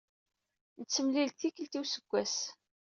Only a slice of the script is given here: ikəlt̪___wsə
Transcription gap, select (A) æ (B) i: B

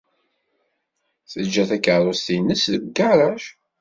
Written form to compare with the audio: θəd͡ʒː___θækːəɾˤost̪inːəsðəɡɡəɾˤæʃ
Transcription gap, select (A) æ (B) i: A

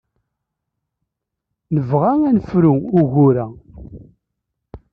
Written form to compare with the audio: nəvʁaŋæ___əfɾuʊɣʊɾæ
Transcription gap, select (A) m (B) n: B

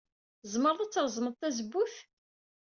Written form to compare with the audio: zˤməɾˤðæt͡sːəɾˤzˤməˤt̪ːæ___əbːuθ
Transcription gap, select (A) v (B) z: B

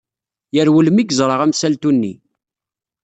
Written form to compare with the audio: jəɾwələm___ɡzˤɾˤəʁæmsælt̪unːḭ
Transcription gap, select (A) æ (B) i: B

